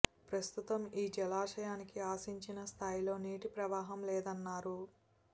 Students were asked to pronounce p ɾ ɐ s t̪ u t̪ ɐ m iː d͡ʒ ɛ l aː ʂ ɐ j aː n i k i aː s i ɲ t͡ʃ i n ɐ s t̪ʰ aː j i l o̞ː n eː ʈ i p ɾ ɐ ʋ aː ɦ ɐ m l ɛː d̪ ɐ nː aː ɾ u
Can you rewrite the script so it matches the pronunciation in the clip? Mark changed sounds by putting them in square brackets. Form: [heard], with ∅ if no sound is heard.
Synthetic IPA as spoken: p ɾ ɐ s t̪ u t̪ ɐ m iː d͡ʒ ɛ l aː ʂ ɐ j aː n i k i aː s i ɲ t͡ʃ i n ɐ s t̪ʰ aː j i l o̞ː n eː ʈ i p ɾ ɐ ʋ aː ɦ ɐ m l ɛː d̪ ɐ nː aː ɾ u